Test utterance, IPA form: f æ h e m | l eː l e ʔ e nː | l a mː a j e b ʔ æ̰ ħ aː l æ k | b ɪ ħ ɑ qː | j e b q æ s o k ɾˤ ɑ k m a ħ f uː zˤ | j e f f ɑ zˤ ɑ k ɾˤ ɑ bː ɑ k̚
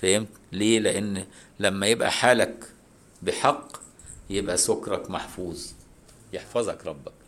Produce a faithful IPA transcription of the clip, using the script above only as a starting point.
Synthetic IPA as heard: f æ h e m | l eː l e ʔ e nː | l æ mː æ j e b ʔ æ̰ ħ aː l æ k | b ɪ ħ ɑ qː | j e b ʔ æ s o k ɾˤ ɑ k m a ħ f uː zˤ | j e ħ f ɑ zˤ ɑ k ɾˤ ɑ bː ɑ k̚